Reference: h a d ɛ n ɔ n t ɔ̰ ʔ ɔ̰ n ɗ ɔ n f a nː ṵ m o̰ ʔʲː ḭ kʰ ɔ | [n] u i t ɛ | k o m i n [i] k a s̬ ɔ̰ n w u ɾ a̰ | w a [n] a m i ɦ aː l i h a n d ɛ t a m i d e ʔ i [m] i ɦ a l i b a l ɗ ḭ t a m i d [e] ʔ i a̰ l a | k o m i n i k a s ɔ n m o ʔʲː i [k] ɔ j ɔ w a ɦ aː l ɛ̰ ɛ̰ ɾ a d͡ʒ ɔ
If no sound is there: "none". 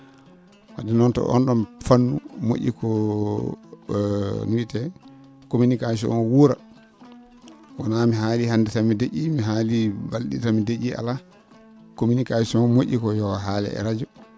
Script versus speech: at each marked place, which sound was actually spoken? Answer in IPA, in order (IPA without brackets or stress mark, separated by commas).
n, i, n, m, e, k